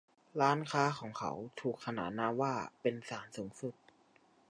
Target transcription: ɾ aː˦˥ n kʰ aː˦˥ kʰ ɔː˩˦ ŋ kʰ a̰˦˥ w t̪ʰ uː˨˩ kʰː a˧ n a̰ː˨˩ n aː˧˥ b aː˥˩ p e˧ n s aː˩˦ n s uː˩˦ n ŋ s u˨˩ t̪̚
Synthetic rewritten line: ɾ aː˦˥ n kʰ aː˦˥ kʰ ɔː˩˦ ŋ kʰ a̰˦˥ w t̪ʰ uː˨˩ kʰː a˧ n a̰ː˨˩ n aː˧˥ w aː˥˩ p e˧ n s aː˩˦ n s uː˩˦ ŋ s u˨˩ t̪̚